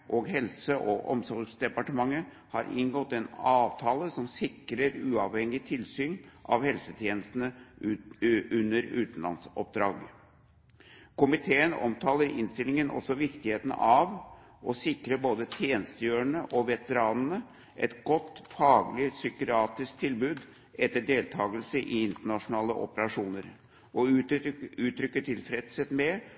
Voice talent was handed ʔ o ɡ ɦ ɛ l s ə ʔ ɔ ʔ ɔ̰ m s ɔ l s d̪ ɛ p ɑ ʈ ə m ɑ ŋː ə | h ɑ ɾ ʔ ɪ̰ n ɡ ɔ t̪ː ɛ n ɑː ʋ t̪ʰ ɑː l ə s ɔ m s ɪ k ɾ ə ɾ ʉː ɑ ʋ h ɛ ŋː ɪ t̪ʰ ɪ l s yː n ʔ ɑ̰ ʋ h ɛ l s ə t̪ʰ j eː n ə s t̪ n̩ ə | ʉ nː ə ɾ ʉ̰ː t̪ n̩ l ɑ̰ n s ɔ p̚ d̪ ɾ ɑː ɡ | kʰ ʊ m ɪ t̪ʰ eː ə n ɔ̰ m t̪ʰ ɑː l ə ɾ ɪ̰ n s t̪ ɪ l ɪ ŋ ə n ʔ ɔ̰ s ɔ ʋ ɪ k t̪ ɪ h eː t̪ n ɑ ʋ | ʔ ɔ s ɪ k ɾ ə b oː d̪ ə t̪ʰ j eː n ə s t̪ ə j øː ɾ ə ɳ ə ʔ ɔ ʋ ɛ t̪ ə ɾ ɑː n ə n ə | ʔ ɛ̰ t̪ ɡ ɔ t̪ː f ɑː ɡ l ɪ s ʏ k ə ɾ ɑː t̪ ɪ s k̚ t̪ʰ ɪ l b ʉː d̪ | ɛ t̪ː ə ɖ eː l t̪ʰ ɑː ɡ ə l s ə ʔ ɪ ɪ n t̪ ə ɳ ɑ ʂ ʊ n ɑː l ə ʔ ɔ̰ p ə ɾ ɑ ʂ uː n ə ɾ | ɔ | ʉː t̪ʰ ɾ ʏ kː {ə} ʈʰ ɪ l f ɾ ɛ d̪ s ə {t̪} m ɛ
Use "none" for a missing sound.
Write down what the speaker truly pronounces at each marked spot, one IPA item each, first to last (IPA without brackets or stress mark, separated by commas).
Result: ə, t̪